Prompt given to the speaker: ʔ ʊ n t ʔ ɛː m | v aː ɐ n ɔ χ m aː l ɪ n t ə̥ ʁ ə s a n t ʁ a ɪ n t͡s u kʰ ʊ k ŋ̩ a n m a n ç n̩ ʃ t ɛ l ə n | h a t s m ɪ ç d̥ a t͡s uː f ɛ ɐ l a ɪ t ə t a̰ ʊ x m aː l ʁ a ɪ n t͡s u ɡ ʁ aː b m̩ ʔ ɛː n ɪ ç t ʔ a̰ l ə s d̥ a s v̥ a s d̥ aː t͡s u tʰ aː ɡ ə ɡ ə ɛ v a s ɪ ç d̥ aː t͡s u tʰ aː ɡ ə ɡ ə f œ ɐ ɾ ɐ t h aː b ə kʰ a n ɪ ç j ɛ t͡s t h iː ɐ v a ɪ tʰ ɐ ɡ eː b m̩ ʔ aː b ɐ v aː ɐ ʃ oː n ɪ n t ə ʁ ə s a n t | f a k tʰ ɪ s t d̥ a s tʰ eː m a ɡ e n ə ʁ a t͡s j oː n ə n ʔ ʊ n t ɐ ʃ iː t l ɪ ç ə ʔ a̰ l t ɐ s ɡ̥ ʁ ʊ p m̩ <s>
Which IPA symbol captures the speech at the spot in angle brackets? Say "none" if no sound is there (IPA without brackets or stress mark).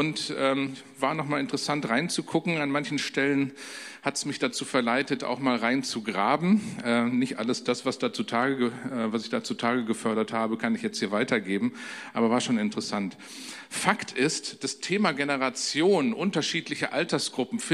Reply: f